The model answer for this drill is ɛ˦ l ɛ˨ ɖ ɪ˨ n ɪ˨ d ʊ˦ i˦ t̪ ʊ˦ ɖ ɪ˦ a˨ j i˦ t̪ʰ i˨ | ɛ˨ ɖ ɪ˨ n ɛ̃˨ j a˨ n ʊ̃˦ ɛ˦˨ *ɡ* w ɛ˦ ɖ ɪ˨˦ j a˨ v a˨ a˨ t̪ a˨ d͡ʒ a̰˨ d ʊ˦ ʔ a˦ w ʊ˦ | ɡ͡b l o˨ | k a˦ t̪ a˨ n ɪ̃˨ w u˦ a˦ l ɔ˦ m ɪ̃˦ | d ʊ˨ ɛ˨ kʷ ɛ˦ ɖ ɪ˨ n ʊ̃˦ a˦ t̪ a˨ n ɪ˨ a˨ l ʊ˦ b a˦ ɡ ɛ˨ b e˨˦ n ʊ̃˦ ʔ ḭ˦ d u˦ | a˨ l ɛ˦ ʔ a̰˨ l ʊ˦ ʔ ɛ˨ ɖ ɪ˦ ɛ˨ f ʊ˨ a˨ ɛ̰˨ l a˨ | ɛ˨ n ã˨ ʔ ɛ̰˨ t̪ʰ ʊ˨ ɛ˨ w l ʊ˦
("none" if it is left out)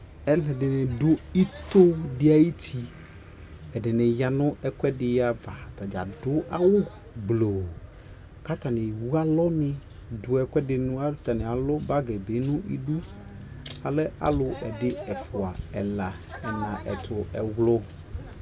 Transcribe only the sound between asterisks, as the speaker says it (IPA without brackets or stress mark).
k